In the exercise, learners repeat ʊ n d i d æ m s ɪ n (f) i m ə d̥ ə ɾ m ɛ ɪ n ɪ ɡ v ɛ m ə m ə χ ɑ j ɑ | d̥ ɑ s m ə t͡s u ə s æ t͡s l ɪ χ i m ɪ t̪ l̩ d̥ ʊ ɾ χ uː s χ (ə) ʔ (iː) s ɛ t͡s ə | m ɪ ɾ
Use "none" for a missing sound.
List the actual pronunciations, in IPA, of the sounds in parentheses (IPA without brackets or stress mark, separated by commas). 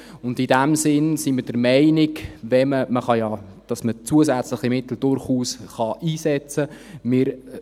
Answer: s, ɑ, iː